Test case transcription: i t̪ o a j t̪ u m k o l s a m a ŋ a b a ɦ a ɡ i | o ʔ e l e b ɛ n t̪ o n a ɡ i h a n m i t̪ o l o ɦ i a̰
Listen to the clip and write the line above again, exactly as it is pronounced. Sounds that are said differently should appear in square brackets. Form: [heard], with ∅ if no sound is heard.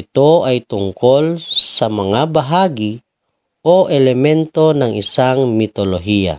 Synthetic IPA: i t̪ o a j t̪ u [ŋ] k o l s a m a ŋ a b a ɦ a ɡ i | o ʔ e l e [m] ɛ n t̪ o n a [ŋ] i [s] a [ŋ] m i t̪ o l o ɦ i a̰